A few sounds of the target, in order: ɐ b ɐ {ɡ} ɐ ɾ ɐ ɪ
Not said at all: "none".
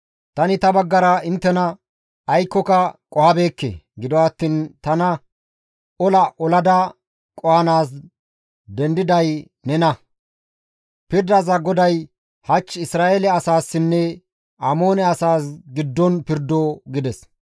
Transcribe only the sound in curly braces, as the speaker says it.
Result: ɡː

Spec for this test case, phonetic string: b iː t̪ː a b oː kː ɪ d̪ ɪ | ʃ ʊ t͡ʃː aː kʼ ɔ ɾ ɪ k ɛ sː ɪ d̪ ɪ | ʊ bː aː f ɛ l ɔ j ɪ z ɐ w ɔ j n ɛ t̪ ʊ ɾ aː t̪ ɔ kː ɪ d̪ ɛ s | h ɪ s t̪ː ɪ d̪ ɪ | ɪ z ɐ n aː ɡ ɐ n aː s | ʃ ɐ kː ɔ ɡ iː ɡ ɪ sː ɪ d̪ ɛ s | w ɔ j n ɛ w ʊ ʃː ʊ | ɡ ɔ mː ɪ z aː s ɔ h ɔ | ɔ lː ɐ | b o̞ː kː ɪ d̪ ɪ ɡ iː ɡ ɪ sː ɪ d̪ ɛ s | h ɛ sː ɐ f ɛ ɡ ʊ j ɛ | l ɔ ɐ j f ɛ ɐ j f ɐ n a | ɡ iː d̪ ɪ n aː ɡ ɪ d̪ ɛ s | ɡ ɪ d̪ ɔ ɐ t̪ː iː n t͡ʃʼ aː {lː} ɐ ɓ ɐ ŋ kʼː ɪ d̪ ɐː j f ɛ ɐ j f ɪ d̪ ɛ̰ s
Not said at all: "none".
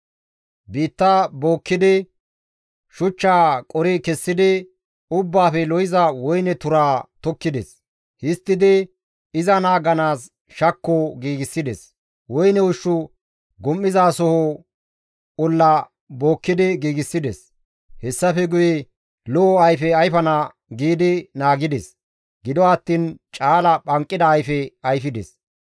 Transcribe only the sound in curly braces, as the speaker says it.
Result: l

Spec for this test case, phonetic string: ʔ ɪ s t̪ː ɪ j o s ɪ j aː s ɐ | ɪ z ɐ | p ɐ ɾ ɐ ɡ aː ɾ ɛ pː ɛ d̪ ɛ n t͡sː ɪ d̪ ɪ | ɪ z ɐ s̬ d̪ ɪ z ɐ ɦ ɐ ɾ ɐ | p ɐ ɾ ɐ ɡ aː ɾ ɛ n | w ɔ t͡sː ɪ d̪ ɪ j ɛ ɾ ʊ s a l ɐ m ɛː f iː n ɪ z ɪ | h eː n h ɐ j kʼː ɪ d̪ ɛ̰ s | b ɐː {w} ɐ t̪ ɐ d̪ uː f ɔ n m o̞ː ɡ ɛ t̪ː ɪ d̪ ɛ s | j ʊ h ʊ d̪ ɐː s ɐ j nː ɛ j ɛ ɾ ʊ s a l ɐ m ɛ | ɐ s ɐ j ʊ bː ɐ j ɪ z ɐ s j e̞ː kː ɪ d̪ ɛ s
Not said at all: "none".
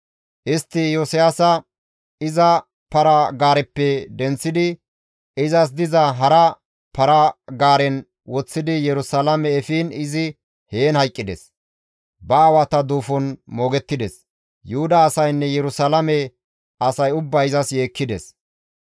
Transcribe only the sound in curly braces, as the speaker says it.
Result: w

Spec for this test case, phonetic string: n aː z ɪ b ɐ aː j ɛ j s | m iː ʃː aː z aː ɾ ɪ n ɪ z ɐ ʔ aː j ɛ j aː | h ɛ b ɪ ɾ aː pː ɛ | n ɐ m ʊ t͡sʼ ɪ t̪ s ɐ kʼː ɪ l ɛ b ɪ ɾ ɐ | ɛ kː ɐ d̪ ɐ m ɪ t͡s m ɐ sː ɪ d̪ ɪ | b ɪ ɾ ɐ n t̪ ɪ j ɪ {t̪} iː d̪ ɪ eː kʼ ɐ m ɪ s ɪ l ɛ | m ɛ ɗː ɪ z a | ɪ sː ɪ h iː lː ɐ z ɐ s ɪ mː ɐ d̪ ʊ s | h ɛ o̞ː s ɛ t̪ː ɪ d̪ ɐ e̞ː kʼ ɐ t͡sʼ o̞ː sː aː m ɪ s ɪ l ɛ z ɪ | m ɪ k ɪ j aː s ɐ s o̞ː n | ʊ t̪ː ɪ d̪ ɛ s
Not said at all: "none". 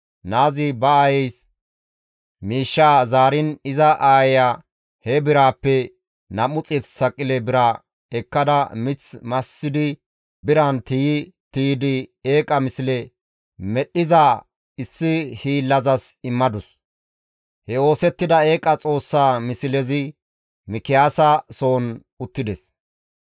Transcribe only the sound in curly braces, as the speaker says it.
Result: t̪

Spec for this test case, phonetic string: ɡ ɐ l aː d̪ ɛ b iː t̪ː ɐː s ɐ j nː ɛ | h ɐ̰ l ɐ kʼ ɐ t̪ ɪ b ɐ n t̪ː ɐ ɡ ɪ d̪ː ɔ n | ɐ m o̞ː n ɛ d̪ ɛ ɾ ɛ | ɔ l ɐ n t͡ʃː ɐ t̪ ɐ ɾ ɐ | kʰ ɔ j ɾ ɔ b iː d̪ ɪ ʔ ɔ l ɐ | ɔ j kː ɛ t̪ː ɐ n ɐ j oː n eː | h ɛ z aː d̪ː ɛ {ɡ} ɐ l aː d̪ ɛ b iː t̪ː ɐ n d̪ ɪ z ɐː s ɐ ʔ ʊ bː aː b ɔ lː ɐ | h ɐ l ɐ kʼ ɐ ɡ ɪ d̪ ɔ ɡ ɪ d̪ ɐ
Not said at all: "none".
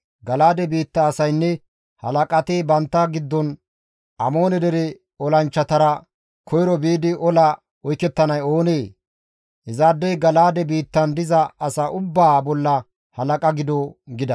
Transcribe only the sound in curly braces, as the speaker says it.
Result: ɡ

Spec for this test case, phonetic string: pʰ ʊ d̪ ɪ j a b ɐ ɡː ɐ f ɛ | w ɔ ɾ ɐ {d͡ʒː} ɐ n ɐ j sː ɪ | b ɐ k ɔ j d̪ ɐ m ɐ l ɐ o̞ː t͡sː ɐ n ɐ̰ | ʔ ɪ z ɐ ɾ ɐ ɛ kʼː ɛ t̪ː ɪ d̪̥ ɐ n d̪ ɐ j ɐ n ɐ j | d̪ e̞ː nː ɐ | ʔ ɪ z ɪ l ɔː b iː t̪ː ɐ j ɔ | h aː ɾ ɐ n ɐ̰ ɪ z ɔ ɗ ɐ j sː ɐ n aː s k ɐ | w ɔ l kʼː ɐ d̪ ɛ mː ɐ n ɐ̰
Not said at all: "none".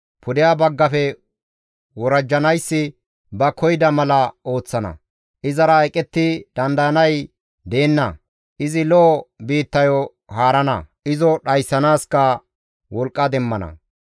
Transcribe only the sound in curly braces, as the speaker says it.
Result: d͡ʒː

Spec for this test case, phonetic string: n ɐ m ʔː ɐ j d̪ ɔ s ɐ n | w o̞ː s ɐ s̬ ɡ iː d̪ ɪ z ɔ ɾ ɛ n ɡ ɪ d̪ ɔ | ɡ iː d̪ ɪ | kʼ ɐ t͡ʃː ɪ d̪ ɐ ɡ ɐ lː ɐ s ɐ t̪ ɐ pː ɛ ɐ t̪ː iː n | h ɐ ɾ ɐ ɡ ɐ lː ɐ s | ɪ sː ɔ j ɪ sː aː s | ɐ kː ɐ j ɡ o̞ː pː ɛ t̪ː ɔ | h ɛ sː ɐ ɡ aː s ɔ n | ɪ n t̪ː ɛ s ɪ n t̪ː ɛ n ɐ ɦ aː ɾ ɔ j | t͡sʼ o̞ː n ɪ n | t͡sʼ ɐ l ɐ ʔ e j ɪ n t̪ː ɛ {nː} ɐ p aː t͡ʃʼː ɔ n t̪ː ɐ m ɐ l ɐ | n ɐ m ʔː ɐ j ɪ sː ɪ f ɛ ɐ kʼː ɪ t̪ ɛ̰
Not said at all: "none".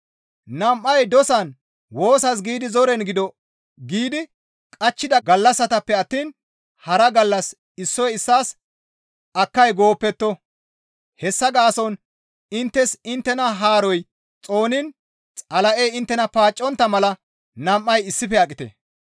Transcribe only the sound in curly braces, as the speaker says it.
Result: n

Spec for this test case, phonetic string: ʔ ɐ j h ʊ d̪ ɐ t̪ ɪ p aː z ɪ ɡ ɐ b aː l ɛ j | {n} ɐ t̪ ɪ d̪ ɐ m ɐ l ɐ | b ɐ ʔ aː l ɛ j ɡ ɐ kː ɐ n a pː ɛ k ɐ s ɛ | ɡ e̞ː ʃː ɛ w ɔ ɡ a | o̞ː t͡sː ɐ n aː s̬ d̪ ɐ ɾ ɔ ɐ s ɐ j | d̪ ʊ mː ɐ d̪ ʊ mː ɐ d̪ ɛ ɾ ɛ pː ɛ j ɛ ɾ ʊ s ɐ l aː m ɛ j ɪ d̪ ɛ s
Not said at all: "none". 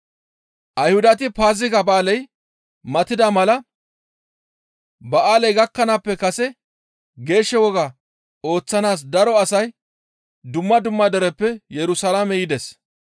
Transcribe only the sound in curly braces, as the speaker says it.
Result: m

